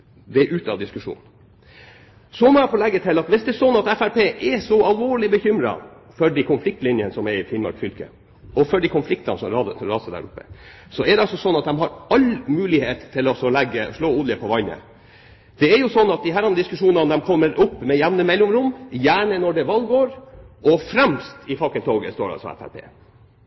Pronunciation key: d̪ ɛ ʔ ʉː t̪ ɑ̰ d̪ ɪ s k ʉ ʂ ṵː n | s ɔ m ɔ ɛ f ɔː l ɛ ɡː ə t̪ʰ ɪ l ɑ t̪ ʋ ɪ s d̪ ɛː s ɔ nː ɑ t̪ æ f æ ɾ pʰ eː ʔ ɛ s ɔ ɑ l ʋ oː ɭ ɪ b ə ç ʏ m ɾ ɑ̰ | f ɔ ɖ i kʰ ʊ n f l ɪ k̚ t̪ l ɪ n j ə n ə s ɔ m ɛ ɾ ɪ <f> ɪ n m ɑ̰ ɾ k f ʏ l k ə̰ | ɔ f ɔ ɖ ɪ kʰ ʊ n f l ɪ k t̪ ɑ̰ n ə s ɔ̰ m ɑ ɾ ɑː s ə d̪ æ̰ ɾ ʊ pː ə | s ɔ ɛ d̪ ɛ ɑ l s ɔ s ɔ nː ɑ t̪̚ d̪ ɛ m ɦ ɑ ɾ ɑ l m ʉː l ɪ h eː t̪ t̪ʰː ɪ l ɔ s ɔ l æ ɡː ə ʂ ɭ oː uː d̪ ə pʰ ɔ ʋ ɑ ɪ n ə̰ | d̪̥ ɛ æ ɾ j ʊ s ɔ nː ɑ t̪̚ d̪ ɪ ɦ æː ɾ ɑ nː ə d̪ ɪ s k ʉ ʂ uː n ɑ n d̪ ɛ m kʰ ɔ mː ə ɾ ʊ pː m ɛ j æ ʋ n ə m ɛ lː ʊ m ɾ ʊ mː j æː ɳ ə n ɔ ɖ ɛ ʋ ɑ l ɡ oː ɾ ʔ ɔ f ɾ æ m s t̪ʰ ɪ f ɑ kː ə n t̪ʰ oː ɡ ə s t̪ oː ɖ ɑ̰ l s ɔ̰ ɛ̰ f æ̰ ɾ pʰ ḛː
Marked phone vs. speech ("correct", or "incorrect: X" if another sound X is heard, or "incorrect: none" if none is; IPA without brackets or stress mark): correct